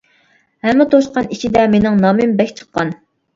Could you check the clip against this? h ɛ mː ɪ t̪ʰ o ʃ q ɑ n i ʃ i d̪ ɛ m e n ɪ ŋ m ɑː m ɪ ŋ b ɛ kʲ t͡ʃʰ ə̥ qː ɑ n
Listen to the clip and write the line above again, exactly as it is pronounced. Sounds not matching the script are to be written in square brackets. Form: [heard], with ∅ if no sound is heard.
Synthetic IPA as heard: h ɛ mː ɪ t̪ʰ o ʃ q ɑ n i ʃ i d̪ ɛ m e n ɪ ŋ [n] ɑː m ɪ [m] b ɛ kʲ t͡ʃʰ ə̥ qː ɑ n

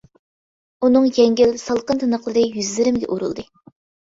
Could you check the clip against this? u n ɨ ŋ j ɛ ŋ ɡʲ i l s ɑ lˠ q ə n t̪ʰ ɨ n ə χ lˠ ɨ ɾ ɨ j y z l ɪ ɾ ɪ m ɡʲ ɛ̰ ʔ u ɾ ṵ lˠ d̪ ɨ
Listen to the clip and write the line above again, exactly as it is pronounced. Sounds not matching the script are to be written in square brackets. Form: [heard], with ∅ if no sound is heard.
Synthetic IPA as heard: u n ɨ ŋ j ɛ ŋ ɡʲ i l s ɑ lˠ q ə n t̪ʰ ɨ n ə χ lˠ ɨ ɾ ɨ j y z l ɪ ɾ ɪ m ɡʲ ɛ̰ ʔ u ɾ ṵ lˠ d̪ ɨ

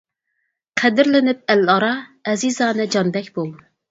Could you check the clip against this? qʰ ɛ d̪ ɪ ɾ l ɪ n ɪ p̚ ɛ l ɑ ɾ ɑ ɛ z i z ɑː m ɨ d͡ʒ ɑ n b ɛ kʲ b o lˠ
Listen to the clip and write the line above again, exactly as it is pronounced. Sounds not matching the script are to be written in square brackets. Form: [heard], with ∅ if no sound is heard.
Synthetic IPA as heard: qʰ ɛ d̪ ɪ ɾ l ɪ n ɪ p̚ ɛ l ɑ ɾ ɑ ɛ z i z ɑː [n] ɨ d͡ʒ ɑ n b ɛ kʲ b o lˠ

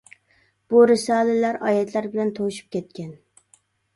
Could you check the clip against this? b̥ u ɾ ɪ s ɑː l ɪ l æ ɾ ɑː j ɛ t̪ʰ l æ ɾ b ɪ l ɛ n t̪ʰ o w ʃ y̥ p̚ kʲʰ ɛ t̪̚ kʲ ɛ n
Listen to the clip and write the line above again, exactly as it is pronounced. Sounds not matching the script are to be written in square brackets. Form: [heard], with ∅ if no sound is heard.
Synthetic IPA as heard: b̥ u ɾ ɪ s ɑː l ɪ l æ ɾ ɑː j ɛ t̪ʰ l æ ɾ b ɪ l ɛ n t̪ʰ o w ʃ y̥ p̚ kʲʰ ɛ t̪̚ kʲ ɛ n

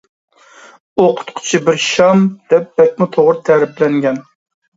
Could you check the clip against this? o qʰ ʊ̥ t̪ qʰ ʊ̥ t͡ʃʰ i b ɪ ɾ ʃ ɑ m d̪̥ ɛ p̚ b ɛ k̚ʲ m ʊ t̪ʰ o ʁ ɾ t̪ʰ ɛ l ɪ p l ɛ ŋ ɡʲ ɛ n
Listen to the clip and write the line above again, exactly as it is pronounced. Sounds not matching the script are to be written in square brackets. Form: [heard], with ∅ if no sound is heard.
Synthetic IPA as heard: o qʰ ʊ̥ t̪ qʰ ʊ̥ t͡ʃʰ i b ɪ ɾ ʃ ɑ m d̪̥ ɛ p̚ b ɛ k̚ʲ m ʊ t̪ʰ o ʁ ɾ t̪ʰ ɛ [ɾ] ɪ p l ɛ ŋ ɡʲ ɛ n

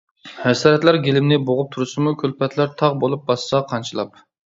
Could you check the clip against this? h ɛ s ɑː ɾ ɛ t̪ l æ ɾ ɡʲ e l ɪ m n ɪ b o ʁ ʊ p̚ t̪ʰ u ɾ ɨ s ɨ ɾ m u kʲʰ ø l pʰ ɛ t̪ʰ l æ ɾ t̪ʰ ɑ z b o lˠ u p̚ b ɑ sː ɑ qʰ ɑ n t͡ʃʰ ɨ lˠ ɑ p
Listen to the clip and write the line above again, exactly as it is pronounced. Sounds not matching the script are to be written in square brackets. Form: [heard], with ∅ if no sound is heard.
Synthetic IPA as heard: h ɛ s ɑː ɾ ɛ t̪ l æ ɾ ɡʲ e l ɪ m n ɪ b o ʁ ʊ p̚ t̪ʰ u ɾ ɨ s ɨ [∅] m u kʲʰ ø l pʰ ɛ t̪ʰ l æ ɾ t̪ʰ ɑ [ʁ] b o lˠ u p̚ b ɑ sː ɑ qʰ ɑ n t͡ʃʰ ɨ lˠ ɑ p

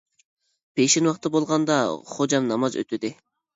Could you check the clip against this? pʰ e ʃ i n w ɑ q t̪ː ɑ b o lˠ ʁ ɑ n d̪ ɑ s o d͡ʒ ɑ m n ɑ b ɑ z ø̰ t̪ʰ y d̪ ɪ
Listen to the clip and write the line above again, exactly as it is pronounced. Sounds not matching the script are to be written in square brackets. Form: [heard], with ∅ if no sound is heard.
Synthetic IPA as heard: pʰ e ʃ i n w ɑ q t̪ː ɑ b o lˠ ʁ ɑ n d̪ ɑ [χ] o d͡ʒ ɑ m n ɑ [m] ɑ z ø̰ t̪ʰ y d̪ ɪ

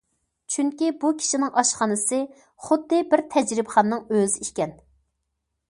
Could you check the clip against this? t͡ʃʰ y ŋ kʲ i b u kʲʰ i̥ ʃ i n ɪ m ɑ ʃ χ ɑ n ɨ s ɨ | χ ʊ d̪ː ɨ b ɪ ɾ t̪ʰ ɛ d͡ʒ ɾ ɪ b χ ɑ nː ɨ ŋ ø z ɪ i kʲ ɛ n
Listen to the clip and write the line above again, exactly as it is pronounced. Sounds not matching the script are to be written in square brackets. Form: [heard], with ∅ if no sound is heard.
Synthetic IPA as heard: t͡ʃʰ y ŋ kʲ i b u kʲʰ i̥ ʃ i n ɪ [ŋ] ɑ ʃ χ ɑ n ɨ s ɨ | χ ʊ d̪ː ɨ b ɪ ɾ t̪ʰ ɛ d͡ʒ ɾ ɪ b χ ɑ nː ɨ ŋ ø z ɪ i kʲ ɛ n

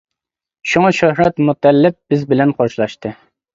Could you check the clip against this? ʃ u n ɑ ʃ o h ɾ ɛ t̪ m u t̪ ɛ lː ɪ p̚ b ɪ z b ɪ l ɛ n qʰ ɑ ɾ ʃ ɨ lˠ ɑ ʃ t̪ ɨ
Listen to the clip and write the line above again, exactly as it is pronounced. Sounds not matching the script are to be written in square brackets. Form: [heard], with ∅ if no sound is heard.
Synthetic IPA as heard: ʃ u [ŋ] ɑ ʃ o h ɾ ɛ t̪ m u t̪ ɛ lː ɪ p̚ b ɪ z b ɪ l ɛ n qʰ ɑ ɾ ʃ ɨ lˠ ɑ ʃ t̪ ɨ

